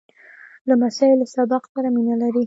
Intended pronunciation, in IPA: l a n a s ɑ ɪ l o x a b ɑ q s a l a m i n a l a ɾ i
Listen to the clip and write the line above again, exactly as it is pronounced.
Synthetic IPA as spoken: l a m a s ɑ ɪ l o s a b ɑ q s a ɾ a m i n a l a ɾ i

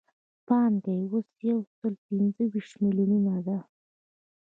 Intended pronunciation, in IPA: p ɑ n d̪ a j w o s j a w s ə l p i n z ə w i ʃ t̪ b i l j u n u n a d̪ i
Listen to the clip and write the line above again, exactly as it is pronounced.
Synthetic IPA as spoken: p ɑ n d̪ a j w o s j a w s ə l p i n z ə w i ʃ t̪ m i l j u n u n a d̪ a

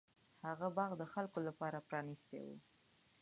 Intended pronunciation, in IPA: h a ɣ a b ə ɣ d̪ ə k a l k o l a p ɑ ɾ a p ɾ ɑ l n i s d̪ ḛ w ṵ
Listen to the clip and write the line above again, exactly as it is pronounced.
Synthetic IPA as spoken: h a ɣ a b ɑ ɣ d̪ ə x a l k o l a p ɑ ɾ a p ɾ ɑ n i s t̪ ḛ w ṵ

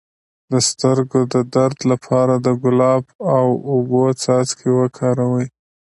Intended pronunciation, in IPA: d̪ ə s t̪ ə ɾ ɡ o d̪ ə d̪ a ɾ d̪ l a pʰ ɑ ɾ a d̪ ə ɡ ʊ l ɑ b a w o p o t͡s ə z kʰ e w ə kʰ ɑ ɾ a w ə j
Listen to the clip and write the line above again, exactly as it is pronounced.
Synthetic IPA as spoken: d̪ ə s t̪ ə ɾ ɡ o d̪ ə d̪ a ɾ d̪ l a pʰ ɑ ɾ a d̪ ə ɡ ʊ l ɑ b a w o b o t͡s ɑ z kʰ e w ə kʰ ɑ ɾ a w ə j

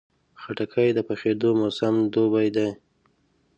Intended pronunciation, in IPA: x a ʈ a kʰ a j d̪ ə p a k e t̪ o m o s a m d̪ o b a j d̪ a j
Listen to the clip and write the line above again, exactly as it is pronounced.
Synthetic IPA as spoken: x a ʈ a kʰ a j d̪ ə p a x e d̪ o m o s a m d̪ o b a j d̪ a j

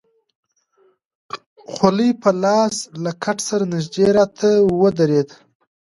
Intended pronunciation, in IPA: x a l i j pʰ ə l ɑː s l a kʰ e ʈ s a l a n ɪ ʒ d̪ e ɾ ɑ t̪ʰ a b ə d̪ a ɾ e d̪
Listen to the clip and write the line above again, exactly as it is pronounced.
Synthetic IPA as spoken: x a l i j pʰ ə l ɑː s l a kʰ a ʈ s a ɾ a n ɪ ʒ d̪ e ɾ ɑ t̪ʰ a w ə d̪ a ɾ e d̪

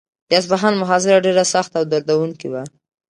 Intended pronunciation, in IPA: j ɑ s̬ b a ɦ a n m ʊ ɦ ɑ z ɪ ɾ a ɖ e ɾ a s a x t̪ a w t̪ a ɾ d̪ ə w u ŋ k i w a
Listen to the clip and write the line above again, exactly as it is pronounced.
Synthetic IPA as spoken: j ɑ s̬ b a ɦ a n m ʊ ɦ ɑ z ɪ ɾ a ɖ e ɾ a s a x t̪ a w d̪ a ɾ d̪ a w u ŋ k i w a

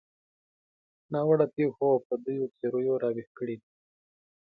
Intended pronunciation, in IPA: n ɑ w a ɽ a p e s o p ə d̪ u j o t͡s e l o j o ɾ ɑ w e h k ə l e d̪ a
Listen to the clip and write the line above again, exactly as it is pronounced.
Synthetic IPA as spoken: n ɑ w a ɽ a p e x o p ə d̪ u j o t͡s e ɾ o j o ɾ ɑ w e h k ə ɽ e d̪ i

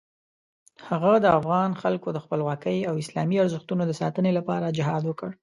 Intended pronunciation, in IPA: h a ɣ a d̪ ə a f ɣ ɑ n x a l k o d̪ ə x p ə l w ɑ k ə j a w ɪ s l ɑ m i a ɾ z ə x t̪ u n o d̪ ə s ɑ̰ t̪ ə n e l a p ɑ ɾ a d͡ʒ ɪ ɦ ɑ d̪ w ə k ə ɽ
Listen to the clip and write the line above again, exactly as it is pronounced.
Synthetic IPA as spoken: h a ɣ a d̪ ə a f ɣ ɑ n x a l k o d̪ ə x p ə l w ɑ k ə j a w ɪ s l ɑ m i a ɾ z ə x t̪ u n o d̪ ə s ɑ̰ t̪ ə n e l a p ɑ ɾ a d͡ʒ ɪ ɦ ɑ d̪ w ə k ə ɽ

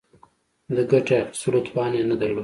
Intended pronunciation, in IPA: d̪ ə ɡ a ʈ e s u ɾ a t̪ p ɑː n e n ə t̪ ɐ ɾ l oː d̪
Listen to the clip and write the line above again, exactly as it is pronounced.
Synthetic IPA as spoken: d̪ ə ɡ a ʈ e s u ɾ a t̪ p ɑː n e n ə d̪ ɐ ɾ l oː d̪

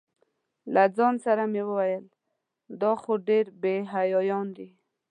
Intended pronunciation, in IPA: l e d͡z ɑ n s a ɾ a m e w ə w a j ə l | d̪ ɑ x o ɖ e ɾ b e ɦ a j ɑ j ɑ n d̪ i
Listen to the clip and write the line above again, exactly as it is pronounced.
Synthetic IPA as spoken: l a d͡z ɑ n s a ɾ a m e w ə w a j ə l | d̪ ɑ x o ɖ e ɾ b e ɦ a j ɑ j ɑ n d̪ i

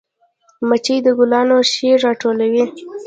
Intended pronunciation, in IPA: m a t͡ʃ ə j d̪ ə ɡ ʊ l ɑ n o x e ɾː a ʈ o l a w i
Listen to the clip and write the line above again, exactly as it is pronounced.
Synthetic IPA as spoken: m a t͡ʃ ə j d̪ ə ɡ ʊ l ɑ n o ʃ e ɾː ɑ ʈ o l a w i

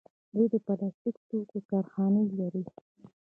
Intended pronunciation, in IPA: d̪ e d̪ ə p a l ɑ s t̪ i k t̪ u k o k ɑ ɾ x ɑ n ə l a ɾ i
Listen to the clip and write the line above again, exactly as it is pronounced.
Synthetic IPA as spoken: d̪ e d̪ ə p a l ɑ s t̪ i k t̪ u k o k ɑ ɾ x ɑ n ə l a ɾ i

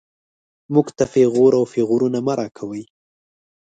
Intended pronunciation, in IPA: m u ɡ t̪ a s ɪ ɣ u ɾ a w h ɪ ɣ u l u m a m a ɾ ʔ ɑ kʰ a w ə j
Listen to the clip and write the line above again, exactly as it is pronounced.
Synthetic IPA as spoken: m u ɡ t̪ a f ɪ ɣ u ɾ a w f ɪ ɣ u ɾ u n a m a ɾ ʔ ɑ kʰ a w ə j

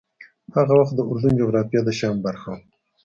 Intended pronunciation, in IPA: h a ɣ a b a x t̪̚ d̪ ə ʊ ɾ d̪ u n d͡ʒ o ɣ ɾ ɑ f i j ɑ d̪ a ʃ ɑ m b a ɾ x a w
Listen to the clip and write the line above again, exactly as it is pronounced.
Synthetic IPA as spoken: h a ɣ a w a x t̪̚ d̪ ə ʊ ɾ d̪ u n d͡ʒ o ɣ ɾ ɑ f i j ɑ d̪ ə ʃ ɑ m b a ɾ x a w

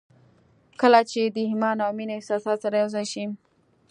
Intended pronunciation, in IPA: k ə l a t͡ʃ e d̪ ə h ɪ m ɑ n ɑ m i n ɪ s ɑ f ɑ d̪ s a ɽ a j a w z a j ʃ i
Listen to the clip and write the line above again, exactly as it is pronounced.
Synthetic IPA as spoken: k ə l a t͡ʃ e d̪ ə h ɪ m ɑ n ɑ m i n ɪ s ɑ s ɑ t̪ s a ɾ a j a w z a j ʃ i

